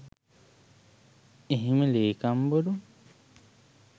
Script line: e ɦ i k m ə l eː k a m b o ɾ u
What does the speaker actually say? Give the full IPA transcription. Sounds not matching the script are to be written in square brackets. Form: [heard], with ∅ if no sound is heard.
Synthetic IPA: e ɦ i [∅] m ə l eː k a m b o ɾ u